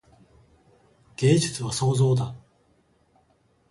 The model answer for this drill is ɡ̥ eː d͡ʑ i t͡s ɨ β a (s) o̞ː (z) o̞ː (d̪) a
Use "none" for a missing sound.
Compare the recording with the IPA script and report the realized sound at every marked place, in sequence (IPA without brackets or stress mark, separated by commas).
s, z, d̪